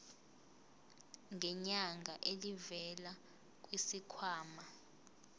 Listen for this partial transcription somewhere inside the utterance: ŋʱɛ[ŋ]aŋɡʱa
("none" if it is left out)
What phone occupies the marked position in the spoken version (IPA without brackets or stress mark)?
ɲ